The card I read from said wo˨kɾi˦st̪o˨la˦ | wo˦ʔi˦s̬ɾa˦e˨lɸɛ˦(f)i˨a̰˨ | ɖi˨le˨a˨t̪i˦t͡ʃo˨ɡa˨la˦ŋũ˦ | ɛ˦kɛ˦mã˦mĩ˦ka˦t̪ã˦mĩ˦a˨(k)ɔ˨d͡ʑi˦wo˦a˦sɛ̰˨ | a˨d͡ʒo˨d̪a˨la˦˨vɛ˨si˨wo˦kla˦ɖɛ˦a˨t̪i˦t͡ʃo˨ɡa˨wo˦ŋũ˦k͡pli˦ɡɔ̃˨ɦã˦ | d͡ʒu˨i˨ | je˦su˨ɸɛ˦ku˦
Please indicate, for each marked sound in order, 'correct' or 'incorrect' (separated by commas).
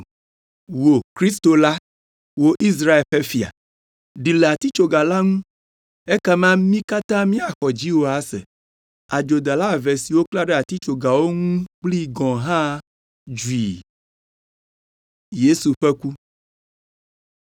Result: correct, incorrect